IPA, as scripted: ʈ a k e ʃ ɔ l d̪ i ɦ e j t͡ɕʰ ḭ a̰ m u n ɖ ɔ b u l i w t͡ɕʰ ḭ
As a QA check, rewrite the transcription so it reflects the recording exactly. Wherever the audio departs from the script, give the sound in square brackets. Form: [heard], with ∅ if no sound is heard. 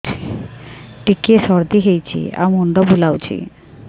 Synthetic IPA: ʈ [i] k e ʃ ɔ [ɾ] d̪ i ɦ e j t͡ɕʰ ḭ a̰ m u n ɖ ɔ b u l [a] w t͡ɕʰ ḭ